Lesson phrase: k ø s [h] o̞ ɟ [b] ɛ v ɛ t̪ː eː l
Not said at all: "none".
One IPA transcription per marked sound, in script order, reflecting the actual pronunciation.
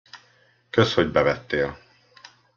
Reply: h, b

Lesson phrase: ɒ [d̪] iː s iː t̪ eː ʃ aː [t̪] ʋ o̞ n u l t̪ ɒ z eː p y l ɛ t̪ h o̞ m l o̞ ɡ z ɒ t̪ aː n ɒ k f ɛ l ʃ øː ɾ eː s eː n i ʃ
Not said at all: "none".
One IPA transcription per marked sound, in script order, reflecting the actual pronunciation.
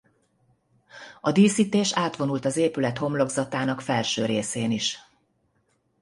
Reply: d̪, t̪

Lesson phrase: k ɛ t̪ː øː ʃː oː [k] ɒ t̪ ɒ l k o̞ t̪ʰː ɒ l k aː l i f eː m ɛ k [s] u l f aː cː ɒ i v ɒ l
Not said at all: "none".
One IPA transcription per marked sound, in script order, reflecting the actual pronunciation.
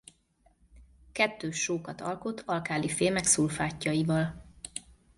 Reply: k, s

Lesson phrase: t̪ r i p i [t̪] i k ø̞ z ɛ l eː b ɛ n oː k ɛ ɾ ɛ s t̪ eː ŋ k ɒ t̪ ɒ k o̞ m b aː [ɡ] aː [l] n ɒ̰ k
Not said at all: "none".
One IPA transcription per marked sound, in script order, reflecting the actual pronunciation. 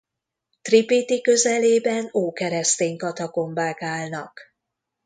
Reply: t̪, k, l

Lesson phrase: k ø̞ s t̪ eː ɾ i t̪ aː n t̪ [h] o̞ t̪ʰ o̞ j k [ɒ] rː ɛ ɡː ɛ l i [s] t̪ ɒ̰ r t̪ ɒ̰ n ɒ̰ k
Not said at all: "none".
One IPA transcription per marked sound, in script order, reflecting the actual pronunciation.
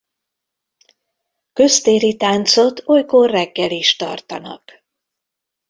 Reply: s, o, ʃ

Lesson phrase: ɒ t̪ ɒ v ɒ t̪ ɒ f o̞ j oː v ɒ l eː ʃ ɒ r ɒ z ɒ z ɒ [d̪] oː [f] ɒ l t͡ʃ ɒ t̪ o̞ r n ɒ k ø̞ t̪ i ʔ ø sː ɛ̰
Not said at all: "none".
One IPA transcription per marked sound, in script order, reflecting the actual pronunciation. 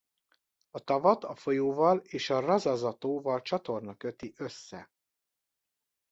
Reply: t̪, v

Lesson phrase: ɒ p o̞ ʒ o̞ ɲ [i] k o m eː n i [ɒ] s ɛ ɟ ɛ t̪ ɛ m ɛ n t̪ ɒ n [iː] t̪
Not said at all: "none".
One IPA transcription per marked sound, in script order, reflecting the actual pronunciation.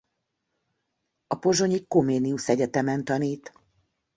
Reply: i, u, iː

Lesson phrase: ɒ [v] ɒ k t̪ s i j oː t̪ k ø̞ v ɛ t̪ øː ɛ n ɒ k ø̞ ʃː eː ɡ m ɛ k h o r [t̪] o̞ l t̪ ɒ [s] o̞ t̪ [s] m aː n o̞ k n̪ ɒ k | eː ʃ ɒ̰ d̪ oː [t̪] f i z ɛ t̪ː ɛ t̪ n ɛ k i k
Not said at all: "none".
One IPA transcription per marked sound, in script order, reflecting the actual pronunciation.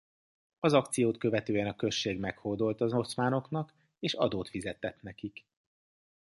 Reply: z, d̪, z, s, t̪

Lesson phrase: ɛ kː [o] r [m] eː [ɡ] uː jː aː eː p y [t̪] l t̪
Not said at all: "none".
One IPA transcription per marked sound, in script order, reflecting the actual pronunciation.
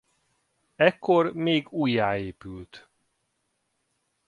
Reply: o, m, ɡ, none

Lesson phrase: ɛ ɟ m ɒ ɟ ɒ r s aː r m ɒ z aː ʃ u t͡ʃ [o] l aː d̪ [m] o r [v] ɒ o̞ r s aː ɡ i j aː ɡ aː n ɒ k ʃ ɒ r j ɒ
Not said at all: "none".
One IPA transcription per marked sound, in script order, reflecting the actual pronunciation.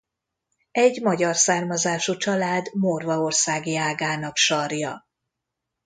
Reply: ɒ, m, v

